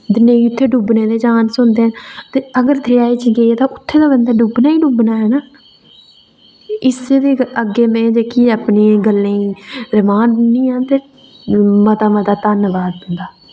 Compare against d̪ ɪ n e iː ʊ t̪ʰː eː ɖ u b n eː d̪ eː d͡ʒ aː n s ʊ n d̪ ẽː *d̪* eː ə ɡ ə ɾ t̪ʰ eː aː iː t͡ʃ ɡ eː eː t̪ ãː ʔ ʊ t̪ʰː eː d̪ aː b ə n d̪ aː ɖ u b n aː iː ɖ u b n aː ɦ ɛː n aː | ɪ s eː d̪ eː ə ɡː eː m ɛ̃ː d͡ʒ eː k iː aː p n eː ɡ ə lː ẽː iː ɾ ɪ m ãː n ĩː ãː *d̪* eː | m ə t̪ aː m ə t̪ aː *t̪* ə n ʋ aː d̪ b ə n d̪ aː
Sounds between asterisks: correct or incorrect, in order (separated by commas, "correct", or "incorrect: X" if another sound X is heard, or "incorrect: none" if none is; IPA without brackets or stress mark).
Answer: incorrect: t̪, incorrect: t̪, correct